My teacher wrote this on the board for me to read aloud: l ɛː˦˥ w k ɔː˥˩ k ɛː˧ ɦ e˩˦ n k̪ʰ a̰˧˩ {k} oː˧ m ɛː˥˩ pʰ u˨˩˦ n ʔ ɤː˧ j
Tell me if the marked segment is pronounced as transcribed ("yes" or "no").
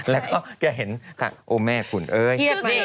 no